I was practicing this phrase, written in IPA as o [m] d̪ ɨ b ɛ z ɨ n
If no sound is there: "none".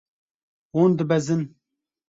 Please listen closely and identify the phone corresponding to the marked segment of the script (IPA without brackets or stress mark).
n